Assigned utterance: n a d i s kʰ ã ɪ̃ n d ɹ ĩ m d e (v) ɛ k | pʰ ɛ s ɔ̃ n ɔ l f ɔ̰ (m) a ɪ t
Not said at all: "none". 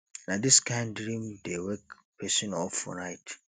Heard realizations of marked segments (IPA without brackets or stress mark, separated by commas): w, n